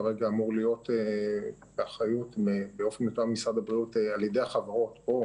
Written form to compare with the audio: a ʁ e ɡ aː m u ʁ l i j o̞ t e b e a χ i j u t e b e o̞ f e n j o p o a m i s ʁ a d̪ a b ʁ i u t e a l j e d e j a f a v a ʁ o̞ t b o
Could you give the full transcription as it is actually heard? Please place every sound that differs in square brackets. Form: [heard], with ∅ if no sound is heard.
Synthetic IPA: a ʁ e ɡ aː m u ʁ l i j o̞ t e b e a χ [a] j u t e b e o̞ f e n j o [t] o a m i s ʁ a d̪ a b ʁ i u t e a l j e d e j a [χ] a v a ʁ o̞ t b o